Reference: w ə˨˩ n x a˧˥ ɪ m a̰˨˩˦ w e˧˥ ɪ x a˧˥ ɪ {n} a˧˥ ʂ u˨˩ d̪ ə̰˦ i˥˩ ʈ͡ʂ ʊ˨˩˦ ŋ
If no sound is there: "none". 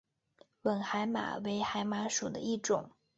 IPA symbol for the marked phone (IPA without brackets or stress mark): m